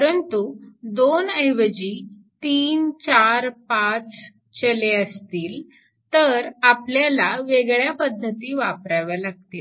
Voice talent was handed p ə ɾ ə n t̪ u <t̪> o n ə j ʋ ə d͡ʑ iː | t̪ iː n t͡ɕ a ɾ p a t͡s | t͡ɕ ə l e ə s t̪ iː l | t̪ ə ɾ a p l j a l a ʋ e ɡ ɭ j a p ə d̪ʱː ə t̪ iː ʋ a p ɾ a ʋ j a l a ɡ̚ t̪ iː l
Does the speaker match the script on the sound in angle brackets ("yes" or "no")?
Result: no